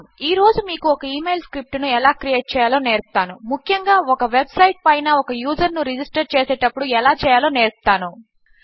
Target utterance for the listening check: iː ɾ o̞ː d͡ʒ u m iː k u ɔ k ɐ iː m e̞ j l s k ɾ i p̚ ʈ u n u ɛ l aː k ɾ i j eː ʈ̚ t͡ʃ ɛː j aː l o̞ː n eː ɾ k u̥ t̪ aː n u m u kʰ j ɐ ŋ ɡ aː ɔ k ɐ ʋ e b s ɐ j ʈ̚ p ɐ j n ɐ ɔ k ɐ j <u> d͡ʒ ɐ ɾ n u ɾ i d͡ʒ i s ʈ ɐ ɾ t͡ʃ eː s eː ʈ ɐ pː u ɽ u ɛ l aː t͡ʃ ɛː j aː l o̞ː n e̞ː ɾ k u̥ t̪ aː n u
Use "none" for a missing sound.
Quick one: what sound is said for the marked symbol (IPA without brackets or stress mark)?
uː